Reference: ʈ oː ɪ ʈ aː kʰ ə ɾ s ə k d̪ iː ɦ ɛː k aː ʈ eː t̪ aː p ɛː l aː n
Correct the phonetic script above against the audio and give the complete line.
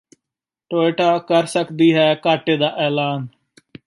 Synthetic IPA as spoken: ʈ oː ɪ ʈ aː k ə ɾ s ə k d̪ iː ɦ ɛː k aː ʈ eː d̪ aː ʔ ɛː l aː n

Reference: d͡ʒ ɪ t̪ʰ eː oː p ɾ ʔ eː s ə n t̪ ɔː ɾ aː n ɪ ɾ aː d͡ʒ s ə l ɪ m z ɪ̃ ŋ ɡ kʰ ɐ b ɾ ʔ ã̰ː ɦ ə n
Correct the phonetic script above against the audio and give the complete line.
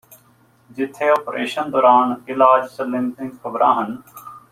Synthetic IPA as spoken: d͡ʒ ɪ t̪ʰ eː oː p ɾ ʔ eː ʃ ə n d̪ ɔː ɾ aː n ɪ l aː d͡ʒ s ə l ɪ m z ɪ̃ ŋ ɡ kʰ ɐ b ɾ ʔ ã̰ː ɦ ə n

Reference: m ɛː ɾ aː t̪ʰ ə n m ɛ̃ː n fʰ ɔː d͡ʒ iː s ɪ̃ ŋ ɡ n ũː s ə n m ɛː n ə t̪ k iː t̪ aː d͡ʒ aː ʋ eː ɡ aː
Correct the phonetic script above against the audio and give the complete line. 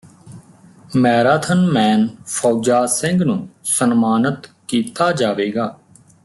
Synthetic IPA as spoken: m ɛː ɾ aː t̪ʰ ə n m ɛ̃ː n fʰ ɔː d͡ʒ aː s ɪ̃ ŋ ɡ n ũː s ə n m aː n ə t̪ k iː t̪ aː d͡ʒ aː ʋ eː ɡ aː

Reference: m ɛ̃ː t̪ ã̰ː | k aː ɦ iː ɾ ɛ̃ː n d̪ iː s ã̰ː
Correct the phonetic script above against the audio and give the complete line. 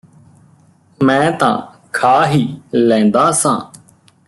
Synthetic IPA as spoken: m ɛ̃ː t̪ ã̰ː | kʰ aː ɦ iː l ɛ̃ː n d̪ aː s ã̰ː

